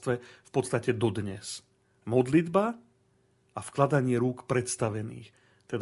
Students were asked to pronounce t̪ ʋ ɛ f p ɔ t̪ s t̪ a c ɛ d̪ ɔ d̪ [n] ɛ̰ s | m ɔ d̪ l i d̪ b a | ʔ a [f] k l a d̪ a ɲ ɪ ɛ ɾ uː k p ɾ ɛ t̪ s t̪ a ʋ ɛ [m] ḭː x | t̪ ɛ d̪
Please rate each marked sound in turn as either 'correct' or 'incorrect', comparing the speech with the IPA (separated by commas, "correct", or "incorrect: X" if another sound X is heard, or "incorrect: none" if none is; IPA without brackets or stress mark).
incorrect: ɲ, correct, incorrect: n